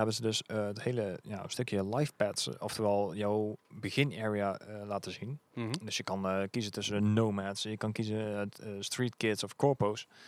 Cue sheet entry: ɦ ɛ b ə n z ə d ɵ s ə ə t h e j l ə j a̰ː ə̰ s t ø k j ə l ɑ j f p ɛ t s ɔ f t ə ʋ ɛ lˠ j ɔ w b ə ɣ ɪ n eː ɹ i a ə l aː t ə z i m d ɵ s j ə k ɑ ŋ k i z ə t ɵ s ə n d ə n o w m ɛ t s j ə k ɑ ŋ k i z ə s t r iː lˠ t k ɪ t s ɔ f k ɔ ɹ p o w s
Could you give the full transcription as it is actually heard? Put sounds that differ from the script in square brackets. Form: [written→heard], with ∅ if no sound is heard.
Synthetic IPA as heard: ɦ ɛ b ə n z ə d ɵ s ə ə t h e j l ə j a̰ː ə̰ s t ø k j ə l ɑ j f p ɛ t s ɔ f t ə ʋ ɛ lˠ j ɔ w b ə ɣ ɪ n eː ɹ i a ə l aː t ə z i [m→n] d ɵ s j ə k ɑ [ŋ→n] k i z ə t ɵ s ə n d ə n o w m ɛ t s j ə k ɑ [ŋ→n] k i z ə s t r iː [lˠ→∅] t k ɪ t s ɔ f k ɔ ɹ p o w s